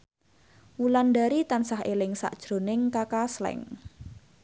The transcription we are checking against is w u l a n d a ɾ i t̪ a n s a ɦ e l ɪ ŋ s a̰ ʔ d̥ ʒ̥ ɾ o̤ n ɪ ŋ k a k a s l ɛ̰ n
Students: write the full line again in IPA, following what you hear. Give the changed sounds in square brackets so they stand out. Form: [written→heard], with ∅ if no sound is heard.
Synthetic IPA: w u l a n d a ɾ i t̪ a n s a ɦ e l ɪ ŋ s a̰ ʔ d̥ ʒ̥ ɾ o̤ n ɪ ŋ k a k a s l ɛ̰ [n→ŋ]